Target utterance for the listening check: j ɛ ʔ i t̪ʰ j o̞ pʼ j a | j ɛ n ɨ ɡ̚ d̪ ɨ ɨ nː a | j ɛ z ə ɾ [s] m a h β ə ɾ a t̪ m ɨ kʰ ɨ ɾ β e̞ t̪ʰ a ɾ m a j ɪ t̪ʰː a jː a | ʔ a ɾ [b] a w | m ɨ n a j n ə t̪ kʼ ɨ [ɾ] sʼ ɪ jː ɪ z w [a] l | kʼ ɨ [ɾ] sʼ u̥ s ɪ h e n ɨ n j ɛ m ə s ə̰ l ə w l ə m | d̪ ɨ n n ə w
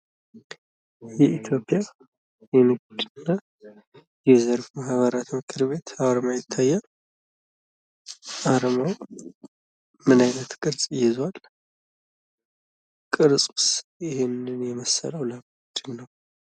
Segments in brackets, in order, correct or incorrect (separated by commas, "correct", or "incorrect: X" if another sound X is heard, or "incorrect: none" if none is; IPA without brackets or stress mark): incorrect: f, incorrect: m, correct, correct, correct